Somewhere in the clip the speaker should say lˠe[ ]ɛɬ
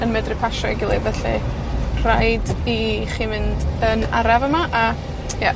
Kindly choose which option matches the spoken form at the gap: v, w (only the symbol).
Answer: v